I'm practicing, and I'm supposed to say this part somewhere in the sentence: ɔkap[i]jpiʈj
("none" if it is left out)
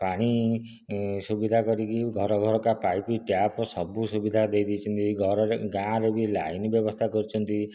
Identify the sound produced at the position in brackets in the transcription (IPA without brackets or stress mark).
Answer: a